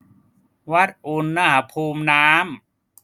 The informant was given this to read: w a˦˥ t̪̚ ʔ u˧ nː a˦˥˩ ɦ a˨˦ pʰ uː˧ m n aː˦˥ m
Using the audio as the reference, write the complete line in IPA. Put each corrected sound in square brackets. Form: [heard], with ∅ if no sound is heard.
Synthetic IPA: w a˦˥ t̪̚ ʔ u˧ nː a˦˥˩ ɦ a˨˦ pʰ uː˧ m n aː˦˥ m